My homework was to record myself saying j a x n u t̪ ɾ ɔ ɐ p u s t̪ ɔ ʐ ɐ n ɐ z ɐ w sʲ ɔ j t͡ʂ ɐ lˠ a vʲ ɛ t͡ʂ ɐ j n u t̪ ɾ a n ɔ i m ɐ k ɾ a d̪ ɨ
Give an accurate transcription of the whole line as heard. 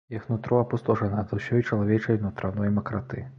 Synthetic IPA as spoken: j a x n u t̪ ɾ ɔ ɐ p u s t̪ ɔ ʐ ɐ n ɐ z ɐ w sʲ ɔ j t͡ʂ ɐ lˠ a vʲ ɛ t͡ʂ ɐ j n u t̪ ɾ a n ɔ j m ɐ k ɾ a t̪ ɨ